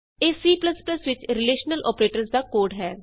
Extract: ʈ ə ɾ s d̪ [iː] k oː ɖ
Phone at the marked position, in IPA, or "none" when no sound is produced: aː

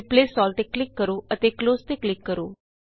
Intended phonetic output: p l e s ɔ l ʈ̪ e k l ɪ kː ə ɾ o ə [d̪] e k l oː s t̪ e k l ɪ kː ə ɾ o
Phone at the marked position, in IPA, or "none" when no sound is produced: t̪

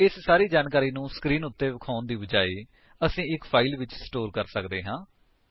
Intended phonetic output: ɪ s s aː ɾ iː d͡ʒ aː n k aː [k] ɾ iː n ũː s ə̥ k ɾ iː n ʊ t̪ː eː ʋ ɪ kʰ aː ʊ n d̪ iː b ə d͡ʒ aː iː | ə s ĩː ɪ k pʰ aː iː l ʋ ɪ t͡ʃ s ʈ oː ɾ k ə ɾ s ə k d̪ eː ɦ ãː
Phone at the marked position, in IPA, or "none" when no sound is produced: none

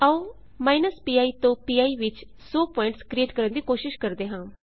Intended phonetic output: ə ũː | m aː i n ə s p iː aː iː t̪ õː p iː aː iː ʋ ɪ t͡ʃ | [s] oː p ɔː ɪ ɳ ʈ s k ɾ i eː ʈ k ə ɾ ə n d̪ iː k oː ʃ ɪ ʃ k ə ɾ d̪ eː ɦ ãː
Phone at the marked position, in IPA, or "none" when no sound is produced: s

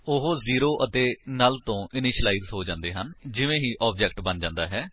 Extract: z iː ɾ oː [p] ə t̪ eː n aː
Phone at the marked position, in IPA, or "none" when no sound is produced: ʔ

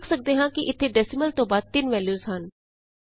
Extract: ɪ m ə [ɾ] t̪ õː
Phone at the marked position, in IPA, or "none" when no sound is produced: l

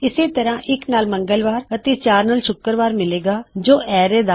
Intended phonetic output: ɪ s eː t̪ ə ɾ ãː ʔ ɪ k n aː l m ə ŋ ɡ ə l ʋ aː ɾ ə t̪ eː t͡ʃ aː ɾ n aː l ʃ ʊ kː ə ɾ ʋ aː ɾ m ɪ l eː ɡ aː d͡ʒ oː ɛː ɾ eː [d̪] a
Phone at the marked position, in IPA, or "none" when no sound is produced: d̪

